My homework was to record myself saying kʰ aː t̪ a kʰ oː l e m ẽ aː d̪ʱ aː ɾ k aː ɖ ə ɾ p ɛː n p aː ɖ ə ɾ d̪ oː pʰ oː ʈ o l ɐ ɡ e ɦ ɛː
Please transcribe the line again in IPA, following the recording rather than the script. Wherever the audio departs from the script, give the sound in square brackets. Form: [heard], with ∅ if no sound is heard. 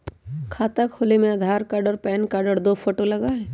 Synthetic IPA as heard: kʰ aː t̪ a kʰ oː l e m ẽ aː d̪ʱ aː ɾ k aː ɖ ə ɾ p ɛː n [k] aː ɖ ə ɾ d̪ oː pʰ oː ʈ o l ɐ ɡ [a] ɦ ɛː